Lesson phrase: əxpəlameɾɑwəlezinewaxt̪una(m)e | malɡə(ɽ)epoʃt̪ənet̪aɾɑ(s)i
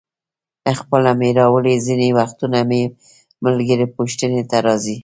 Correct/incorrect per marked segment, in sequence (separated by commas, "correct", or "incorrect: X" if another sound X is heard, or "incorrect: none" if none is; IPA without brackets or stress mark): correct, incorrect: ɾ, incorrect: z